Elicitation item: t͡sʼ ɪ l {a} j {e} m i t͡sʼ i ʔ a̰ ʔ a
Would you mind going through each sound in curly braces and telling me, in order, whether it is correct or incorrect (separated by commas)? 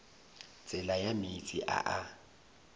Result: correct, incorrect